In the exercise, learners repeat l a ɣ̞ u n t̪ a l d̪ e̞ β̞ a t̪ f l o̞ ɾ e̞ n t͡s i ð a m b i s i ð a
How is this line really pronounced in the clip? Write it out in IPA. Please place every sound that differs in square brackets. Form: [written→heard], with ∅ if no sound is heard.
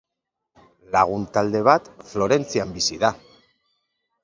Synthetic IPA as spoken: l a ɣ̞ u n t̪ a l d̪ e̞ β̞ a t̪ f l o̞ ɾ e̞ n t͡s i [ð→∅] a m b i s i ð a